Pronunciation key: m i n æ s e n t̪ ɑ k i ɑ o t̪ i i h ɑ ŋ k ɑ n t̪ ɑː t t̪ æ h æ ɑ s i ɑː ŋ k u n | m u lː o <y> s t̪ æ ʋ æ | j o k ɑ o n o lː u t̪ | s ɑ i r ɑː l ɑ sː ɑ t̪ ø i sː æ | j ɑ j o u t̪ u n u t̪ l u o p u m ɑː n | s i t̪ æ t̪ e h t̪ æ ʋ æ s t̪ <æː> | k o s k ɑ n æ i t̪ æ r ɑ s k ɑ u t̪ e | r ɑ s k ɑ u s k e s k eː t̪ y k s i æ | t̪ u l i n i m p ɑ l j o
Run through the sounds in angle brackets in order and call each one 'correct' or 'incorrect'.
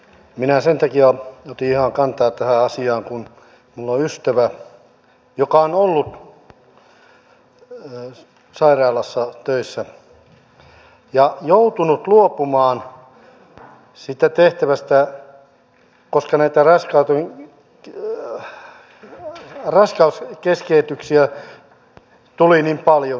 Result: correct, incorrect: æ

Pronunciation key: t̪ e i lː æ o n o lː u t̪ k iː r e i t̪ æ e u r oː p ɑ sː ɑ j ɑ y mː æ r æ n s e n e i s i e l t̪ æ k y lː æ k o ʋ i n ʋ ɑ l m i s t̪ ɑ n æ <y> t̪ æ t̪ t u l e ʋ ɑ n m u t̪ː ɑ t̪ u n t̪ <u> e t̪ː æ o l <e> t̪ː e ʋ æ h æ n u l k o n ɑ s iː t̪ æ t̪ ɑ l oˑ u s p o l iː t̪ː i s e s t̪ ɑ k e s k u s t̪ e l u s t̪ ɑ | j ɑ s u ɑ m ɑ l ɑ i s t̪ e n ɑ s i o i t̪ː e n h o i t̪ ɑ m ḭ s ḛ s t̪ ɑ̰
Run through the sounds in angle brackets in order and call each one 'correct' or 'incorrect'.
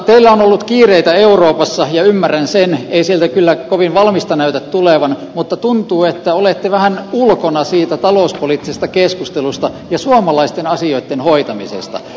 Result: correct, incorrect: uː, correct

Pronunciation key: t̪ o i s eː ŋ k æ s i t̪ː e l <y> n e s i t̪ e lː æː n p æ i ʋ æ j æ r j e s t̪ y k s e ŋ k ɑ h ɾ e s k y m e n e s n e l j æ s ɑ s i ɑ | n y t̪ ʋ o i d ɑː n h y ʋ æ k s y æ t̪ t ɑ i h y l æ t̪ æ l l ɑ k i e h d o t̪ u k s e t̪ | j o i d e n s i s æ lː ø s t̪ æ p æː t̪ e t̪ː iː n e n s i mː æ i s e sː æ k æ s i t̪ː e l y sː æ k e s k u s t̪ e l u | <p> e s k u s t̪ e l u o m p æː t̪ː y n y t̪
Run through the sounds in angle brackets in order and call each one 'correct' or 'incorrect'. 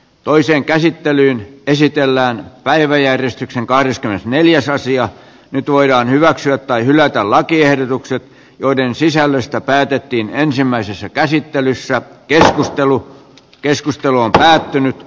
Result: incorrect: yː, incorrect: k

